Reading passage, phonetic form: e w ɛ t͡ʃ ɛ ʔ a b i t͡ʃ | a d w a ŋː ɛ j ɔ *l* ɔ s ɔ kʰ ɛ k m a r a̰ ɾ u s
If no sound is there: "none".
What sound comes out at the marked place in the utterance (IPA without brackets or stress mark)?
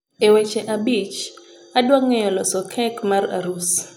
l